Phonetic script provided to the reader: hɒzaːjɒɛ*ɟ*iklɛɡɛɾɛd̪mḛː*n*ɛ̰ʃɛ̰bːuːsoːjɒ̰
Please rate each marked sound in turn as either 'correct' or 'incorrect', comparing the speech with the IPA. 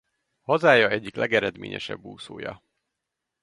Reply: incorrect: ɟː, incorrect: ɲ

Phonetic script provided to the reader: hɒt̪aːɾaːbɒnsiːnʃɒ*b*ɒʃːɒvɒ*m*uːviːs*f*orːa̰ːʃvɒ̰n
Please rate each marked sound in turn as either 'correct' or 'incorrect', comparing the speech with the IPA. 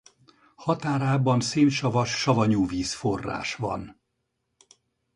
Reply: incorrect: v, incorrect: ɲ, correct

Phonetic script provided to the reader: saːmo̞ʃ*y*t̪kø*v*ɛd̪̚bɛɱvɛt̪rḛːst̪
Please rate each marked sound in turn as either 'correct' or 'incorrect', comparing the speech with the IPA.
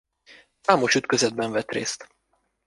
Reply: correct, incorrect: z

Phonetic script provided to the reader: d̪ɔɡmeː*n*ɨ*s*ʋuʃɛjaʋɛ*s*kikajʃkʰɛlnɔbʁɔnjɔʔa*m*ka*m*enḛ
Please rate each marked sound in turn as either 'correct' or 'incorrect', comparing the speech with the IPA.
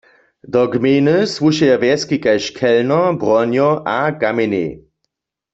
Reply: correct, correct, correct, incorrect: none, correct

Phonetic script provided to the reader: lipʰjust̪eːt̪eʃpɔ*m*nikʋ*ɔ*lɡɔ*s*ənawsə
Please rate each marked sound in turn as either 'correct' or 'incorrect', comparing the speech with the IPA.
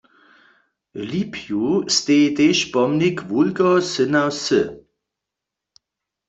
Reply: correct, incorrect: u, correct

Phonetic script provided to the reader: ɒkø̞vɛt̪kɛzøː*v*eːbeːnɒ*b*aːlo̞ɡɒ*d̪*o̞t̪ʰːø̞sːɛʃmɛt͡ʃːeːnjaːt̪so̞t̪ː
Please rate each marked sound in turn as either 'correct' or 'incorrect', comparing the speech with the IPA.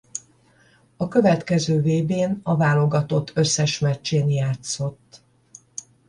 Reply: correct, incorrect: v, incorrect: t̪

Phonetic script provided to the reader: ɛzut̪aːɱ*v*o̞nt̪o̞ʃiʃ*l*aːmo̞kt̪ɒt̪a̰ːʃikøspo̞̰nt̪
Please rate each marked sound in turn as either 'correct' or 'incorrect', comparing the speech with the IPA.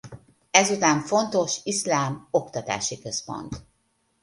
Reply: incorrect: f, correct

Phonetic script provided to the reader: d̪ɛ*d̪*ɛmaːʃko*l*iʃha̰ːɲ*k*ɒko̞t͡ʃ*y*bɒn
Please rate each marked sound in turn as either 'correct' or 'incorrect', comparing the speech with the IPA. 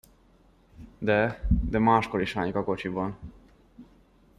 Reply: correct, incorrect: ɾ, correct, incorrect: i

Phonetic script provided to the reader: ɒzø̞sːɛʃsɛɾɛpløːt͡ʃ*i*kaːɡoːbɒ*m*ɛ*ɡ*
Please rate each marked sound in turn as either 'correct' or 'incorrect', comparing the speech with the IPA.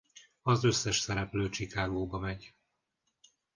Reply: correct, correct, incorrect: ɟ

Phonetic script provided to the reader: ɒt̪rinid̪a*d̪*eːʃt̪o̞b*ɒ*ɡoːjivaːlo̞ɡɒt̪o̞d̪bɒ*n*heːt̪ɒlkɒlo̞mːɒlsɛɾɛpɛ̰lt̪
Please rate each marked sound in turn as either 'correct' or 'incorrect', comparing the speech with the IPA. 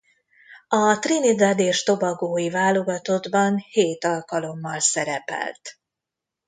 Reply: correct, correct, correct

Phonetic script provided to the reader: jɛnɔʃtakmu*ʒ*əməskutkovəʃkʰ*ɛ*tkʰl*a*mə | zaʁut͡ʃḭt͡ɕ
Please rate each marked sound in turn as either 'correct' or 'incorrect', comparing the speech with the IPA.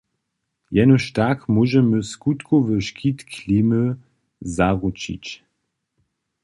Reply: correct, incorrect: i, incorrect: i

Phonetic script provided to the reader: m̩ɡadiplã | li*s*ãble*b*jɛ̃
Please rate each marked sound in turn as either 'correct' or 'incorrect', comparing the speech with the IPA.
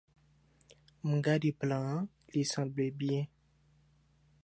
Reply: correct, correct

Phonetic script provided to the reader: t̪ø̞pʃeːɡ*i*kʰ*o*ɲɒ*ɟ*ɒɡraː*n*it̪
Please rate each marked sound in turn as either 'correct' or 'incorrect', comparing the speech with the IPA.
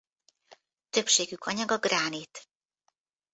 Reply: incorrect: y, incorrect: ɒ, incorrect: ɡ, correct

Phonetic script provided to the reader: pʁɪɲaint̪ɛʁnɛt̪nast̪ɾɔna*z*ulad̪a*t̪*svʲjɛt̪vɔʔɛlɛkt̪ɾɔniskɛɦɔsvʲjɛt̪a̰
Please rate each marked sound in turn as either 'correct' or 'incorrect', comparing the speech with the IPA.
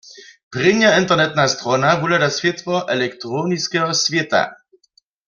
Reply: incorrect: v, incorrect: none

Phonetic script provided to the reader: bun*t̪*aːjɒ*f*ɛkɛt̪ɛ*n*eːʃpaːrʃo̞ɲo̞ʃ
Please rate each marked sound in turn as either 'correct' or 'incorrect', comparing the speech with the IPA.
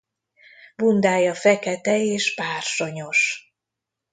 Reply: incorrect: d̪, correct, incorrect: none

